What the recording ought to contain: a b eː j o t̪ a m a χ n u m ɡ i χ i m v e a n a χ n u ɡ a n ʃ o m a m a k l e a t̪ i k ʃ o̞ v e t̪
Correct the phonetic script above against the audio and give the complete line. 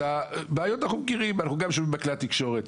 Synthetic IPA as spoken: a b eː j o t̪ a n a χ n u m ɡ i ʁ i m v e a n a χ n u ɡ a m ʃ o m i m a k l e a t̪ i k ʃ o̞ ʁ e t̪